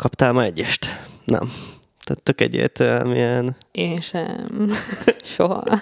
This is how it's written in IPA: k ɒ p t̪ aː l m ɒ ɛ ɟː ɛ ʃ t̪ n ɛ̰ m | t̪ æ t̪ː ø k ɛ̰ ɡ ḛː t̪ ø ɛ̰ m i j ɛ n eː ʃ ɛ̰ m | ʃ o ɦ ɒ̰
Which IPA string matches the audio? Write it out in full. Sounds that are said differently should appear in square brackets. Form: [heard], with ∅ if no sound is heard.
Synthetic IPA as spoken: k ɒ p t̪ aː l m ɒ ɛ ɟː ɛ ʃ t̪ n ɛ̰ m | t̪ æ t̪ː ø k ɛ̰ [ɟ] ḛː t̪ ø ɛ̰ m i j ɛ n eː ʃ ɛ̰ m | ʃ o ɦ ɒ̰